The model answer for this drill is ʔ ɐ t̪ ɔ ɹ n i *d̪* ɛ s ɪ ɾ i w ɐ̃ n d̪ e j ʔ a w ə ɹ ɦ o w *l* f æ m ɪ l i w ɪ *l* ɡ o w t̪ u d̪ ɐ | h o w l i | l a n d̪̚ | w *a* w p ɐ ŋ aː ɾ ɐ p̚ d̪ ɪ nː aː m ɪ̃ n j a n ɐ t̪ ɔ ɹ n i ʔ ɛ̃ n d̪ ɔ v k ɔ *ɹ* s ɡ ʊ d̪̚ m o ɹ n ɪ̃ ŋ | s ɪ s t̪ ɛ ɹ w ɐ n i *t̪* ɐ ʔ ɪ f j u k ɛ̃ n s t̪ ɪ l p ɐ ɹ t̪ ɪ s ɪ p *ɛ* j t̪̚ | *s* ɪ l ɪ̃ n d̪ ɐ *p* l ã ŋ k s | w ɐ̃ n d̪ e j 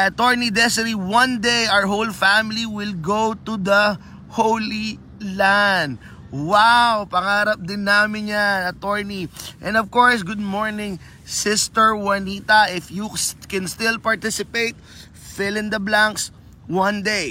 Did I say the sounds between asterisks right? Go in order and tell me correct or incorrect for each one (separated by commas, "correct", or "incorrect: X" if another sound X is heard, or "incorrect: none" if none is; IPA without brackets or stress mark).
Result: correct, correct, correct, correct, correct, correct, incorrect: e, incorrect: f, incorrect: b